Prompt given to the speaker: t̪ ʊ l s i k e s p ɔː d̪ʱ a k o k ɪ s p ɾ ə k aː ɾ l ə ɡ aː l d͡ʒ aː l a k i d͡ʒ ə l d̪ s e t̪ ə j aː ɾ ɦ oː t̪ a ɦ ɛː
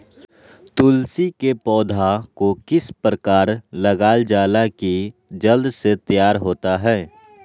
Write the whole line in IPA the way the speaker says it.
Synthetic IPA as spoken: t̪ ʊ l s i k e p ɔː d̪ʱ a k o k ɪ s p ɾ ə k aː ɾ l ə ɡ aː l d͡ʒ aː l a k i d͡ʒ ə l d̪ s e t̪ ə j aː ɾ ɦ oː t̪ a ɦ ɛː